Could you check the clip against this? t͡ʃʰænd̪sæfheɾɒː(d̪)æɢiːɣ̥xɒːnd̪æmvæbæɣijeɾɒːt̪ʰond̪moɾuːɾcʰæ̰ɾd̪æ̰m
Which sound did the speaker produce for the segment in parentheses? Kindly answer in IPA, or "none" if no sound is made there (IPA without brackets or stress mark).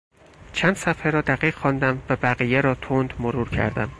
d̪